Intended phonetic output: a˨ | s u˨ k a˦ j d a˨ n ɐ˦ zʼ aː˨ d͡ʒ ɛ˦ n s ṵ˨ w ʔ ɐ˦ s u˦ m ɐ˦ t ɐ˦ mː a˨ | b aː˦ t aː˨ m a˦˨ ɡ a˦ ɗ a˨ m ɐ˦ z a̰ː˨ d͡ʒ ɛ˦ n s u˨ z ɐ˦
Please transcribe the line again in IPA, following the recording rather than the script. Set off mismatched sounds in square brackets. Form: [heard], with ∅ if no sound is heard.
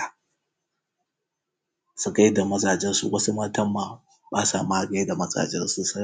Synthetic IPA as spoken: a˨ | s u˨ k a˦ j d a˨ [m] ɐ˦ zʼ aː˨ d͡ʒ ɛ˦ n s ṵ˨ w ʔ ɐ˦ s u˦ m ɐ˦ t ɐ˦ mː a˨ | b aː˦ [s] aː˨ m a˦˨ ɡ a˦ [d] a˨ m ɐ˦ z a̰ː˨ d͡ʒ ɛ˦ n s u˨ [s] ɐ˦